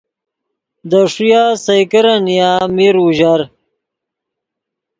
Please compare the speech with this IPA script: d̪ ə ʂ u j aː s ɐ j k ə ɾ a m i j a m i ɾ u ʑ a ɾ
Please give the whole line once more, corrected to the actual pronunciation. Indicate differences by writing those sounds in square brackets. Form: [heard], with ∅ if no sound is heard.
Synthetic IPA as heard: d̪ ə ʂ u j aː s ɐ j k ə ɾ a [n] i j a m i ɾ u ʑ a ɾ